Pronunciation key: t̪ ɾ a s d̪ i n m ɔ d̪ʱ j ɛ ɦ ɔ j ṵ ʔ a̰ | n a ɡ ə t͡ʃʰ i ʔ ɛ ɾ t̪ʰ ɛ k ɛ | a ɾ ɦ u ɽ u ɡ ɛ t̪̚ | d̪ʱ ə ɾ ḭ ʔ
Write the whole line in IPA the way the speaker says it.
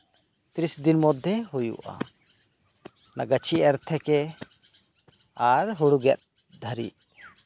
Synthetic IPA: t̪ ɾ i s d̪ i n m ɔ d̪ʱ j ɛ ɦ u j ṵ ʔ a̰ | n a ɡ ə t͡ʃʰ i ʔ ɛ ɾ t̪ʰ ɛ k ɛ | a ɾ ɦ u ɽ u ɡ ɛ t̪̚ | d̪ʱ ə ɾ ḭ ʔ